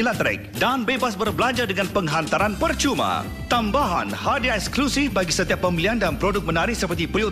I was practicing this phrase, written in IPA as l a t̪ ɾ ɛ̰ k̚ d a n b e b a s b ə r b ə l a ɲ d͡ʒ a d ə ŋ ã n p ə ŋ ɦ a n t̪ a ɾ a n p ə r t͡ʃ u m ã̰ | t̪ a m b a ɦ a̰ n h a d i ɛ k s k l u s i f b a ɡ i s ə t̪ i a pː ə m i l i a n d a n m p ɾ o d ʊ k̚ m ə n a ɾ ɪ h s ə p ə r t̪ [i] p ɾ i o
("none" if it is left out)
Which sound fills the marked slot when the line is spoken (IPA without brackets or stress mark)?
i